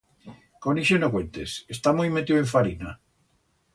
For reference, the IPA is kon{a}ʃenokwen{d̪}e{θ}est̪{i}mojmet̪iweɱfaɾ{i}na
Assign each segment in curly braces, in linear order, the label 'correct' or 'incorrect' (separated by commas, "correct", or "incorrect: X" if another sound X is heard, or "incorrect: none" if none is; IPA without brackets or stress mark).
incorrect: i, incorrect: t̪, incorrect: s, incorrect: a, correct